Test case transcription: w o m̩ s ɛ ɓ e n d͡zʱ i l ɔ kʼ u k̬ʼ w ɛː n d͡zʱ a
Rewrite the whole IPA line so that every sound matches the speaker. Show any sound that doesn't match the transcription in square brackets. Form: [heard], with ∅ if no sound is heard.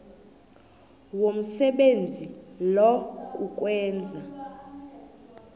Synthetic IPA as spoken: w o m̩ s ɛ ɓ e n d͡zʱ i l ɔ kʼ u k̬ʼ w ɛː n d͡zʱ a